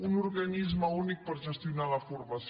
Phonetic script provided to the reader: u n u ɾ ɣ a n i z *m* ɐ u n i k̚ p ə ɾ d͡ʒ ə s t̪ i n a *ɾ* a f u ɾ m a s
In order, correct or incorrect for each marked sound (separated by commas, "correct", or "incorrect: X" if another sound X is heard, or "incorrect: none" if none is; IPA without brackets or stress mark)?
correct, incorrect: l